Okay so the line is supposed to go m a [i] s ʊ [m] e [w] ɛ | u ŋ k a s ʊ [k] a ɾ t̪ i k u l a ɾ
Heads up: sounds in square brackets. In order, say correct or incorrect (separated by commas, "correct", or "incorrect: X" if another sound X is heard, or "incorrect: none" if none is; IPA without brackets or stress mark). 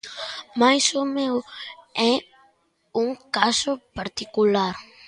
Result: incorrect: j, correct, correct, incorrect: p